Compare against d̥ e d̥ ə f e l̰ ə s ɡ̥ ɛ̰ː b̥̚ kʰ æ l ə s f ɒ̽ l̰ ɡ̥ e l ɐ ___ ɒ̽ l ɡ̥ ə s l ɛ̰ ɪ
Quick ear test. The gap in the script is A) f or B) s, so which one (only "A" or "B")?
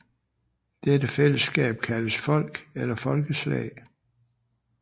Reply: A